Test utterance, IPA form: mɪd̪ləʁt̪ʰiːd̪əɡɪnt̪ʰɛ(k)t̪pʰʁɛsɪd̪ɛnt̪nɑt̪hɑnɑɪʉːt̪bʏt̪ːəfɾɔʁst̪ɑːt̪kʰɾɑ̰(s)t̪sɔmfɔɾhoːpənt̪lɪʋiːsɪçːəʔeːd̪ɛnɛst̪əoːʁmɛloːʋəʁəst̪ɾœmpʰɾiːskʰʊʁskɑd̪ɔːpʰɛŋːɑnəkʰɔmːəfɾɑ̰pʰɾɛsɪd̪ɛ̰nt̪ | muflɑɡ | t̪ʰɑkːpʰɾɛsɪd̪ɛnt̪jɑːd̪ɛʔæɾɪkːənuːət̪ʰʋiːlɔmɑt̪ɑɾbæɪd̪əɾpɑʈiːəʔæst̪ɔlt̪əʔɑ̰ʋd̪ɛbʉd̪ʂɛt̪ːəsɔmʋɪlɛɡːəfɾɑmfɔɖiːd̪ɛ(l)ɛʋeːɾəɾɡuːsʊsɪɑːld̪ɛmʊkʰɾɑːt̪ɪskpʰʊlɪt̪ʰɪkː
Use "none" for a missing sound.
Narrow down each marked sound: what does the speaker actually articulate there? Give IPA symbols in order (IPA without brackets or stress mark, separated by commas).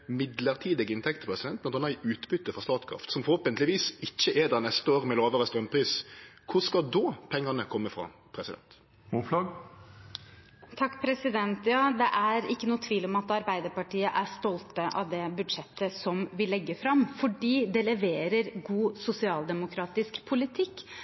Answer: k, f, l